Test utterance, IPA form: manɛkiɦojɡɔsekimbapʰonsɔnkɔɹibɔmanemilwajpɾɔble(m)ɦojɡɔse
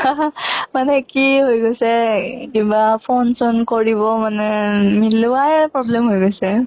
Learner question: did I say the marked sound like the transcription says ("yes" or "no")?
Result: yes